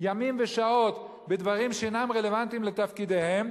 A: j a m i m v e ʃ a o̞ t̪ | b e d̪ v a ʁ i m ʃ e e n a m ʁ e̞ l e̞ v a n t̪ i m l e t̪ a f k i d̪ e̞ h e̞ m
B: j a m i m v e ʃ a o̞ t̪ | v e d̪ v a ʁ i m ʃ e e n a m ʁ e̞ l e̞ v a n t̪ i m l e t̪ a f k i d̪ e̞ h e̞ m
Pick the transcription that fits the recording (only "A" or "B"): A